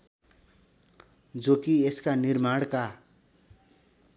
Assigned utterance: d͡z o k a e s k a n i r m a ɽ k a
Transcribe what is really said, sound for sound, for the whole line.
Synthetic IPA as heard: d͡z o k i e s k a n i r m a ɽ k a

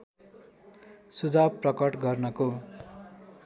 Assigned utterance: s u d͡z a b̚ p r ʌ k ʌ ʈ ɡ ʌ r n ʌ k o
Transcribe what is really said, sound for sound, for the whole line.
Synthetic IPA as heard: s u d͡z a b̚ p r ʌ k ʌ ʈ ɡ ʌ r n ʌ k o

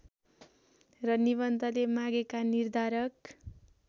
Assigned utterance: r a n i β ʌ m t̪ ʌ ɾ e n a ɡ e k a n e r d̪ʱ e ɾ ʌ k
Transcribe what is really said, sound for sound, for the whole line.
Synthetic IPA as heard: r ʌ n i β ʌ n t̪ ʌ l e m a ɡ e k a n i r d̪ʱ a ɾ ʌ k

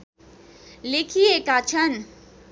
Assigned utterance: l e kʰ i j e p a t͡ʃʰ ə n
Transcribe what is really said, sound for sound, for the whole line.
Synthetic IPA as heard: l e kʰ i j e k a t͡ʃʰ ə n

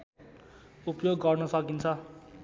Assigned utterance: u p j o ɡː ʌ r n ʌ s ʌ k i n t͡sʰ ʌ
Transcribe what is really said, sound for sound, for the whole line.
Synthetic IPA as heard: u p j o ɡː ʌ r n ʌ s ʌ k i n t͡sʰ ʌ

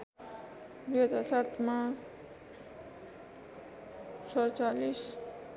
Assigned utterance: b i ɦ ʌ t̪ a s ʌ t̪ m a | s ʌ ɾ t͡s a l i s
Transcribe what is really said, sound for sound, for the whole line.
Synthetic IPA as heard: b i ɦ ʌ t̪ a s a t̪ m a | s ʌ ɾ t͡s a l i s

